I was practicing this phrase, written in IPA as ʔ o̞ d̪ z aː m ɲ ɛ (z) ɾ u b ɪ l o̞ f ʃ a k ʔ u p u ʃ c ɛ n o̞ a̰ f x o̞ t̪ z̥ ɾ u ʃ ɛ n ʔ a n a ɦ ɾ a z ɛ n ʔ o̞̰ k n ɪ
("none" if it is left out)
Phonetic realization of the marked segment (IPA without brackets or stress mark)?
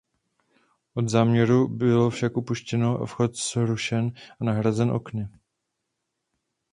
none